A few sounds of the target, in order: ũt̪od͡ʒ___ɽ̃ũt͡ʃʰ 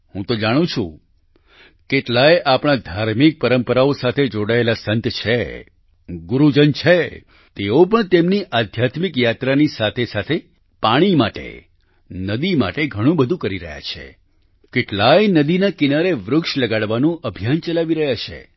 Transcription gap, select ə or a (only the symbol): a